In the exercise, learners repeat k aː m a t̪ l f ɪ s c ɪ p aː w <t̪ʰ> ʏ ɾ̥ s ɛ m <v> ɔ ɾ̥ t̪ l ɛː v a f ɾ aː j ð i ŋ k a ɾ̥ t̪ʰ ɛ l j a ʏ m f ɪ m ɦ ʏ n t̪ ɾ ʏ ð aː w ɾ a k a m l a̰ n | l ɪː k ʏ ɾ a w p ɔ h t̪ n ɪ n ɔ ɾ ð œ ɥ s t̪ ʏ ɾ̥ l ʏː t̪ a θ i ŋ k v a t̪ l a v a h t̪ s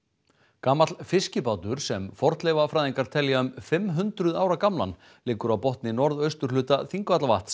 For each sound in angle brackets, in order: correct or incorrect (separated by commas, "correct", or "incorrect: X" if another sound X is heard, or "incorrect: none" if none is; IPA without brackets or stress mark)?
incorrect: t̪, incorrect: f